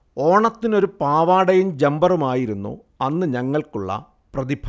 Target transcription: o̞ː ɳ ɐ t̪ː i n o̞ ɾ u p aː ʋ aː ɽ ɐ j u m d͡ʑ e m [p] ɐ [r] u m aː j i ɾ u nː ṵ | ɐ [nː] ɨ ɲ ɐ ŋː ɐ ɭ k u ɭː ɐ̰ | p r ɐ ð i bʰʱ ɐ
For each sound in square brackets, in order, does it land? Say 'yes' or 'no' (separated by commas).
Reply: no, yes, yes